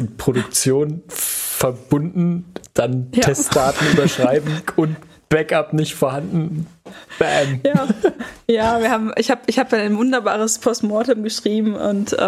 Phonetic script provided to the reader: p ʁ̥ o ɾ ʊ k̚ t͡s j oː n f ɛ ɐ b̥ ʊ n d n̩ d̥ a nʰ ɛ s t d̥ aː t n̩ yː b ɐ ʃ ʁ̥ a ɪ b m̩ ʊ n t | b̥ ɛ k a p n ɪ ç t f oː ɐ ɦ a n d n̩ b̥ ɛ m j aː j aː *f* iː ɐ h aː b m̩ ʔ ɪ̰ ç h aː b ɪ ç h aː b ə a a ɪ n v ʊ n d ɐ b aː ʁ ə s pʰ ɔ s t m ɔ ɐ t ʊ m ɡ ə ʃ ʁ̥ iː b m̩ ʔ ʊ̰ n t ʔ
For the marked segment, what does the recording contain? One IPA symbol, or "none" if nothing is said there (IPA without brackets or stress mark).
v